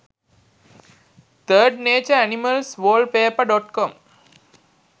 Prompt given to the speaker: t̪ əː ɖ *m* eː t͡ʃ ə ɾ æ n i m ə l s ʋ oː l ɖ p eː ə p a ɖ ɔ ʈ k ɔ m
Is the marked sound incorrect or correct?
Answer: incorrect